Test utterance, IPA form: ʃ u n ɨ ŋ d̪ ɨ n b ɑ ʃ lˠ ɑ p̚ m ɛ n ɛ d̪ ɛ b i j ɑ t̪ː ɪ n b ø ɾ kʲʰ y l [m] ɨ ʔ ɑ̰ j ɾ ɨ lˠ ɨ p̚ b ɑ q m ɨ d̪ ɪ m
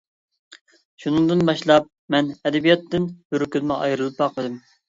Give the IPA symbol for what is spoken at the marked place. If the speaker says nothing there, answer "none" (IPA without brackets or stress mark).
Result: m